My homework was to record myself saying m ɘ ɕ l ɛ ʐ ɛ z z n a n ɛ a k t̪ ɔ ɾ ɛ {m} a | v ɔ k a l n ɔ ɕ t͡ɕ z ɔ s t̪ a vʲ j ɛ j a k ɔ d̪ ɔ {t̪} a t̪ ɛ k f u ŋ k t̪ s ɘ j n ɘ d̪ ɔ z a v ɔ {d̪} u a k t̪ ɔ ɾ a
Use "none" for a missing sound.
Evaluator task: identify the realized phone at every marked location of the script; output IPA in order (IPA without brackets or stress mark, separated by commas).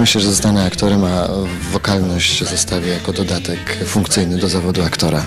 m, d̪, d̪